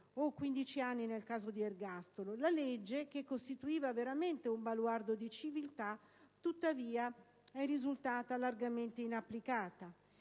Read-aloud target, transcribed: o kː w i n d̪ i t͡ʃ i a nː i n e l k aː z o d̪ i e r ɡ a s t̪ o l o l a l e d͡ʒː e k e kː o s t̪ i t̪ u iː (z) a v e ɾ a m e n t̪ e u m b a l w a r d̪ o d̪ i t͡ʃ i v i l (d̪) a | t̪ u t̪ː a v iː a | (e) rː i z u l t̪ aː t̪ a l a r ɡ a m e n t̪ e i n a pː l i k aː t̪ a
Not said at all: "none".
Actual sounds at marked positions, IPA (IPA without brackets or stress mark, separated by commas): v, t̪, ɛ